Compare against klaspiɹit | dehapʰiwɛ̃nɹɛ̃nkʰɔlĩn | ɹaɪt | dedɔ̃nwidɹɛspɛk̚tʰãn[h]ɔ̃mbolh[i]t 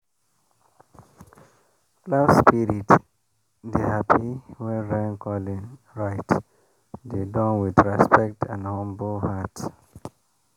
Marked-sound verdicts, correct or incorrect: correct, incorrect

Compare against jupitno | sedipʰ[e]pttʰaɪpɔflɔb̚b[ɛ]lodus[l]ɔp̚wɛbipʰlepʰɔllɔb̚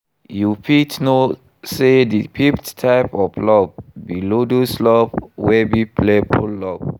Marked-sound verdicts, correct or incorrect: incorrect, incorrect, correct

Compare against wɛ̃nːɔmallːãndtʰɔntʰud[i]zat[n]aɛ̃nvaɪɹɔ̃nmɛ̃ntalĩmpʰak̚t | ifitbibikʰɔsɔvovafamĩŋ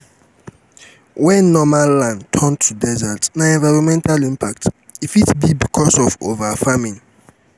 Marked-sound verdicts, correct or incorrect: incorrect, correct

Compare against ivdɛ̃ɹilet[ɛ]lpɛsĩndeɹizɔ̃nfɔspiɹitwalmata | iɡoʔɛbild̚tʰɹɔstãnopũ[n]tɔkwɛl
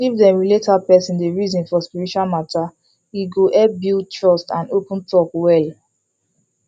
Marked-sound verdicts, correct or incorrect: incorrect, correct

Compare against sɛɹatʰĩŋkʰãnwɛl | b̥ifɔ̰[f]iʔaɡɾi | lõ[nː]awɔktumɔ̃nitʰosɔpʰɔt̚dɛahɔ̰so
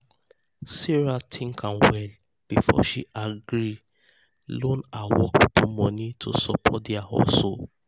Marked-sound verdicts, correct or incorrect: incorrect, incorrect

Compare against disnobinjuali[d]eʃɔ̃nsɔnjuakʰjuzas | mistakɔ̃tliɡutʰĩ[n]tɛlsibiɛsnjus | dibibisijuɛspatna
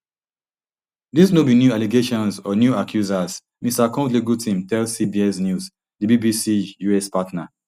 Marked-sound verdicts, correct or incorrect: incorrect, incorrect

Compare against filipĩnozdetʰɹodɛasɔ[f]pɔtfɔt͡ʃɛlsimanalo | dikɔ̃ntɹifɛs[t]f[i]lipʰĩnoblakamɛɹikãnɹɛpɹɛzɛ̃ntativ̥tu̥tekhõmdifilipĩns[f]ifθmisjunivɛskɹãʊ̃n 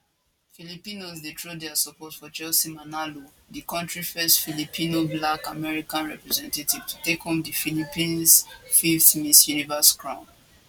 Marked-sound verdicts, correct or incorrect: incorrect, correct, correct, correct

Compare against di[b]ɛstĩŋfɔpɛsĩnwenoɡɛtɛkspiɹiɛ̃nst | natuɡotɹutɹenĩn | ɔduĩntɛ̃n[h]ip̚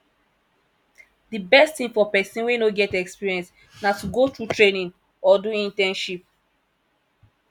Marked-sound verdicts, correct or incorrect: correct, incorrect

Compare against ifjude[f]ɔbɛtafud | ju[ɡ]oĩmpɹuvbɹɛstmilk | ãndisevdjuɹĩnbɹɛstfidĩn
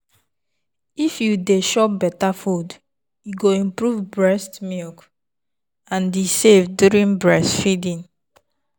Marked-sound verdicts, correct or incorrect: incorrect, correct

